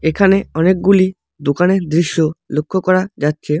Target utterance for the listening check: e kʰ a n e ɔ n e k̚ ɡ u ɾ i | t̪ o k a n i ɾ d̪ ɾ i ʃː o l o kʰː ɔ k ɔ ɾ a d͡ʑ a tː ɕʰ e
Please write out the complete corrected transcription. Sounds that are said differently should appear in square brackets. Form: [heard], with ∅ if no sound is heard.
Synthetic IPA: e kʰ a n e ɔ n e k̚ ɡ u [l] i | [d̪] o k a n [e] ɾ d̪ ɾ i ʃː o l o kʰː [o] k ɔ ɾ a d͡ʑ a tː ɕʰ e